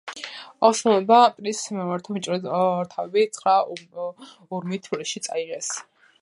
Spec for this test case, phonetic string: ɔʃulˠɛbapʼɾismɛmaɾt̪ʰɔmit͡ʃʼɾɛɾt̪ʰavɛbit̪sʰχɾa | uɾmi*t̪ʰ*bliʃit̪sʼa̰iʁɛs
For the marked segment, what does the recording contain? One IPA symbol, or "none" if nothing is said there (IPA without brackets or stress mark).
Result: t̪ʰ